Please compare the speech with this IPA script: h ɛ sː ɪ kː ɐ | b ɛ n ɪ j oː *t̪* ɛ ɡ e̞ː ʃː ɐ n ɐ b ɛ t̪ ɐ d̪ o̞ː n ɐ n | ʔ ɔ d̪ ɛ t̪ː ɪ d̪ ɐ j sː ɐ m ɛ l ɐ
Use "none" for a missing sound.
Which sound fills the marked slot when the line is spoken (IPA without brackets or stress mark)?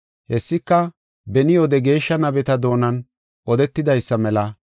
d̪